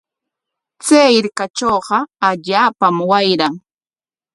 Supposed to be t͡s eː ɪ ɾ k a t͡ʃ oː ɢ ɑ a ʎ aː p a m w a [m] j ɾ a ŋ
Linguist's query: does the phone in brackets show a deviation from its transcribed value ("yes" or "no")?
yes